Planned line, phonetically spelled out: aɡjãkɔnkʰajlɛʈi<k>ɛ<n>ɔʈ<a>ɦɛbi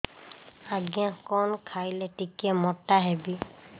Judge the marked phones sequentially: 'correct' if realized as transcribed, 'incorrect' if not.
correct, incorrect: m, correct

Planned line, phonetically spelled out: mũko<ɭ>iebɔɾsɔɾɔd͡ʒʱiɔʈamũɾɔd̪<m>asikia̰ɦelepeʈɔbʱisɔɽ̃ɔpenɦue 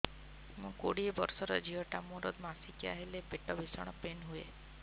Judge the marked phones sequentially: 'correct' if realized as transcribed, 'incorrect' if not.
incorrect: ɽ, correct

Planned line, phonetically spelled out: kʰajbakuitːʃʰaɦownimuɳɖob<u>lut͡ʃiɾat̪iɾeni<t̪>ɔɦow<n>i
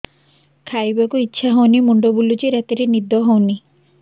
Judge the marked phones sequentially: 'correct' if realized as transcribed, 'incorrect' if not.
correct, incorrect: d̪, correct

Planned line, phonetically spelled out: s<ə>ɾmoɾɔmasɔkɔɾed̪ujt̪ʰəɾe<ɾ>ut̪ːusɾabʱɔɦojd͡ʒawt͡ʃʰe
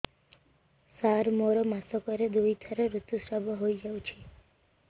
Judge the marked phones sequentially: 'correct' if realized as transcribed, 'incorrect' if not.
incorrect: a, correct

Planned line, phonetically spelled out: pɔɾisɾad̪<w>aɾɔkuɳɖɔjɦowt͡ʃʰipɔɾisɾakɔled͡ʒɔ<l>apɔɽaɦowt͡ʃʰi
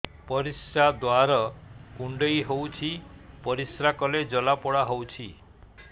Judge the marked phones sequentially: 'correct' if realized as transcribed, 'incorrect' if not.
correct, correct

